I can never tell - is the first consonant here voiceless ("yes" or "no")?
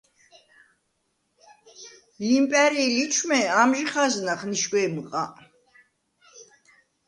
no